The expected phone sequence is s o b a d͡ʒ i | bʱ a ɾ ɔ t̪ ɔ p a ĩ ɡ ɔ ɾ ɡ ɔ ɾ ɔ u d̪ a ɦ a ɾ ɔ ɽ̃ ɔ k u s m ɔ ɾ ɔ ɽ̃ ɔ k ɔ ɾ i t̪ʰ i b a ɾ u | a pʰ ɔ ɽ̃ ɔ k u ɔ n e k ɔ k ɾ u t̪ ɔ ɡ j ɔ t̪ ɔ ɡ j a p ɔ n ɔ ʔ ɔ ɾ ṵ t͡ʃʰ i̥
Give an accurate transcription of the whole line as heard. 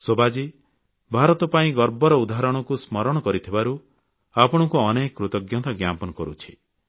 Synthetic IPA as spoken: s o b a d͡ʒ i | bʱ a ɾ ɔ t̪ ɔ p a ĩ ɡ ɔ ɾ b ɔ ɾ ɔ u d̪ a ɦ a ɾ ɔ ɽ̃ ɔ k u s m ɔ ɾ ɔ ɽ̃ ɔ k ɔ ɾ i t̪ʰ i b a ɾ u | a p ɔ ɽ̃ ɔ k u ɔ n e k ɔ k ɾ u t̪ ɔ ɡ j ɔ t̪ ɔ ɡ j a p ɔ n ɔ k ɔ ɾ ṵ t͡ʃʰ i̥